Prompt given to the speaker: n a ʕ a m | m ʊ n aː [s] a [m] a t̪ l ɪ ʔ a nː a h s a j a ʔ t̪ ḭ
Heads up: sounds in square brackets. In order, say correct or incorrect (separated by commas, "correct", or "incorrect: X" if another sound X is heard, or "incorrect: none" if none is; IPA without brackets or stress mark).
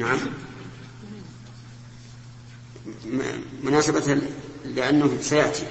correct, incorrect: b